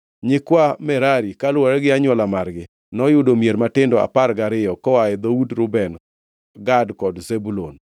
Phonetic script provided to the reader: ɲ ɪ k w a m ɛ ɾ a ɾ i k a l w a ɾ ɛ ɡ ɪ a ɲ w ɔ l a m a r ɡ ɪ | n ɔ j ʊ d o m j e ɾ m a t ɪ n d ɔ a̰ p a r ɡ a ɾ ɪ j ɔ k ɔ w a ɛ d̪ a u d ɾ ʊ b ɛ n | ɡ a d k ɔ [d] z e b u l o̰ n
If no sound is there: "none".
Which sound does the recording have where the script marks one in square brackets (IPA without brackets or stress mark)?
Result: d